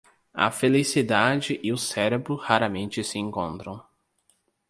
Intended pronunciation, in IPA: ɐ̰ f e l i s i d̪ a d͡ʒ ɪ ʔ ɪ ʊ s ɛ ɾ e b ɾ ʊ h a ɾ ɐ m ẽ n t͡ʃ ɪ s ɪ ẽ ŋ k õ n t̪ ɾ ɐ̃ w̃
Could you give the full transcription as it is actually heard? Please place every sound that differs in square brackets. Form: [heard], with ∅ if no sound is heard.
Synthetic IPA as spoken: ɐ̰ f e l i s i d̪ a d͡ʒ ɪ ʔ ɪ ʊ s ɛ ɾ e b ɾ ʊ h a ɾ ɐ m ẽ n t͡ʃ ɪ s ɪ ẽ ŋ k õ n t̪ ɾ ɐ̃ w̃